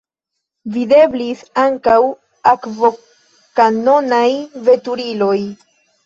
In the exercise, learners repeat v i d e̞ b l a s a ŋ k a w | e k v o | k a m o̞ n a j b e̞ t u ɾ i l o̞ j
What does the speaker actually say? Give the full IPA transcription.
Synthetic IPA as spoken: v i d e̞ b l i s a ŋ k a w | a k v o | k a n o̞ n a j v e̞ t u ɾ i l o̞ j